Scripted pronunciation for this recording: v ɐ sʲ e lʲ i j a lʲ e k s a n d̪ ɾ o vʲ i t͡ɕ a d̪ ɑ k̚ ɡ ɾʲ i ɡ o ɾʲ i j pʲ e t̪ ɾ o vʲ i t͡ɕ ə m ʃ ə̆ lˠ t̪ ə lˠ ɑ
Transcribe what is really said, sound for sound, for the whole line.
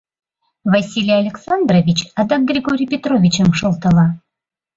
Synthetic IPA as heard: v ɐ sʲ i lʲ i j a lʲ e k s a n d̪ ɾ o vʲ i t͡ɕ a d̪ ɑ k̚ ɡ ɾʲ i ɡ o ɾʲ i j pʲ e t̪ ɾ o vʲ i t͡ɕ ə m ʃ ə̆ lˠ t̪ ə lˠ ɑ